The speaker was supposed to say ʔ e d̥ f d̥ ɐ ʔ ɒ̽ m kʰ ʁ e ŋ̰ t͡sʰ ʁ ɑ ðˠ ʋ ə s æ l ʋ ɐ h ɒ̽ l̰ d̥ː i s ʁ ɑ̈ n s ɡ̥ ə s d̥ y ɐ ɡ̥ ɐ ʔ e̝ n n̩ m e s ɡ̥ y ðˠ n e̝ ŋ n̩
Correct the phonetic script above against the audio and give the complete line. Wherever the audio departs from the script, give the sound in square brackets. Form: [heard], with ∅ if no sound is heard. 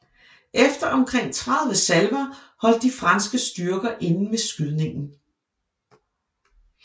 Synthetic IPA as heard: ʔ e [∅] f d̥ ɐ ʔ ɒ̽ m kʰ ʁ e ŋ̰ t͡sʰ ʁ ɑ ðˠ ʋ ə s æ l ʋ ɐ h ɒ̽ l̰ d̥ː i [f] ʁ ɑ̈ n s ɡ̥ ə s d̥ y ɐ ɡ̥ ɐ ʔ e̝ n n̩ m e s ɡ̥ y ðˠ n e̝ ŋ n̩